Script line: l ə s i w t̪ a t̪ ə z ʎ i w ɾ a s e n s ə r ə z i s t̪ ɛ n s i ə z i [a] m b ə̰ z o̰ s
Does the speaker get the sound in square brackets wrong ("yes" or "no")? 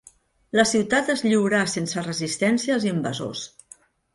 yes